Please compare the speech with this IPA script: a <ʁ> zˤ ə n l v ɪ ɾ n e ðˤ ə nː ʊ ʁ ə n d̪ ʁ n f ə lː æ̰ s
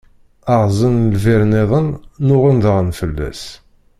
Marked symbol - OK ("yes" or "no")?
yes